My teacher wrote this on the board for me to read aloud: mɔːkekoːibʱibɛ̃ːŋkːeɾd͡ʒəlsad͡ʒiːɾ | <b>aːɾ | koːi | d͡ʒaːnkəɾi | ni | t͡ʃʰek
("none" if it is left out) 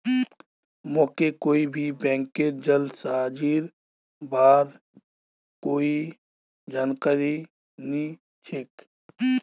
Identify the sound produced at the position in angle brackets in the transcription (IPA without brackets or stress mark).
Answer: b